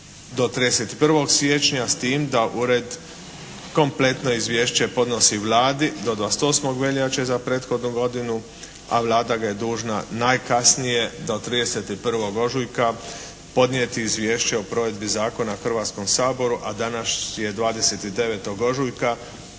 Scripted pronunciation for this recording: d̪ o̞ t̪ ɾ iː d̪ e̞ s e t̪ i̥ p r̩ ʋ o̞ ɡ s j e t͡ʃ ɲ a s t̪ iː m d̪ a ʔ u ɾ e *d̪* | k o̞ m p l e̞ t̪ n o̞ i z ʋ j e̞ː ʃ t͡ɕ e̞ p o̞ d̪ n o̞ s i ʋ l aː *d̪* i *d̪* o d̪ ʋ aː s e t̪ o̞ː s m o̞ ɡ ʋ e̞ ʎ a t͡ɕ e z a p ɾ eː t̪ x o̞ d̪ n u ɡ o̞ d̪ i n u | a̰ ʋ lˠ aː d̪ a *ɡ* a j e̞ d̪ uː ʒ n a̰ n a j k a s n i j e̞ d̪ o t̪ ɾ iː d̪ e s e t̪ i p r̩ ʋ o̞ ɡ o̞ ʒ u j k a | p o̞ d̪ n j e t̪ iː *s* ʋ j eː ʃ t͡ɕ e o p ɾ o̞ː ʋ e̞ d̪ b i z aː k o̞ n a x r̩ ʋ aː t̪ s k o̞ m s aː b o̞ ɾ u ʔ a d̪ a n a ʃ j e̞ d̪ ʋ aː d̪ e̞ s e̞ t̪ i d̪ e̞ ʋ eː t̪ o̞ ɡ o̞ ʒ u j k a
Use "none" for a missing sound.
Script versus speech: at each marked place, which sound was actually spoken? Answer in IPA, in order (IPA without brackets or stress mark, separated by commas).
d̪, d̪, d̪, ɡ, z